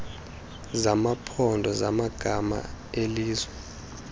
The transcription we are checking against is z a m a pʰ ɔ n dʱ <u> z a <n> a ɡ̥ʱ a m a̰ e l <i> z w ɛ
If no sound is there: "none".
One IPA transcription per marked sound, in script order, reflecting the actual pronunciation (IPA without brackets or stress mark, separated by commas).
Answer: ɔ, m, iː